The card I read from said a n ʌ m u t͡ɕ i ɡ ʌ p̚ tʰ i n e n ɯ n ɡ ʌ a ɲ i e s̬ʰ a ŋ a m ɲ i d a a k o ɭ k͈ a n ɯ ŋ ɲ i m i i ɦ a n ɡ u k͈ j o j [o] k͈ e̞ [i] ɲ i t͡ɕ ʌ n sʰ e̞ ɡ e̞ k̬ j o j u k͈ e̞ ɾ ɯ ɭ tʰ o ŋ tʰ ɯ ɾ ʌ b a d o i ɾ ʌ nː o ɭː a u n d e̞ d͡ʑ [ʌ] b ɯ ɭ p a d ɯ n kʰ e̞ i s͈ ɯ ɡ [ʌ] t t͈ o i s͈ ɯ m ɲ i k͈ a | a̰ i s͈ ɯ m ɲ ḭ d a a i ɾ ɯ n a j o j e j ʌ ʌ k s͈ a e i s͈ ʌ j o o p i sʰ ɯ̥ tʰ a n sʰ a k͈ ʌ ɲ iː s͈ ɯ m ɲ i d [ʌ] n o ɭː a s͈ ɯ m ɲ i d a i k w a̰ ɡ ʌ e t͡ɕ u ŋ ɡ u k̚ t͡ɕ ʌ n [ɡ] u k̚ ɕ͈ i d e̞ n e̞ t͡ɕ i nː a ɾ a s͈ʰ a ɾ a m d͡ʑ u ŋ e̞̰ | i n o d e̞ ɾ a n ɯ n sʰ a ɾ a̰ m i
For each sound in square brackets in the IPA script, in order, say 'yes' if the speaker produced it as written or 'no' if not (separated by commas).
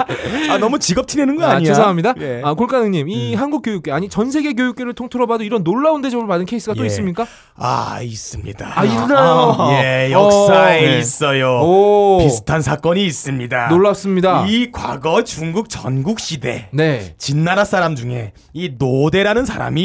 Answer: no, no, yes, no, no, yes